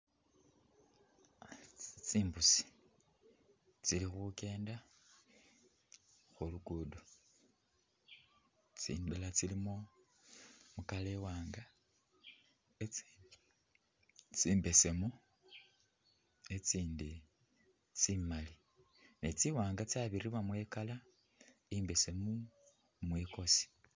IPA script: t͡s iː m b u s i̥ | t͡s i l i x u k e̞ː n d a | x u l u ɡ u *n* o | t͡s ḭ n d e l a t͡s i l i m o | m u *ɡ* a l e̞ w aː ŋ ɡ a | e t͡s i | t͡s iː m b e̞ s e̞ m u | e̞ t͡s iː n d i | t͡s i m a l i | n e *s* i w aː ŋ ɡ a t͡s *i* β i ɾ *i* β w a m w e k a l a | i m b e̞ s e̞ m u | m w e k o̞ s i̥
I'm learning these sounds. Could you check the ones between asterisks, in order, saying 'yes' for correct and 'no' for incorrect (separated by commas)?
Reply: no, no, no, no, yes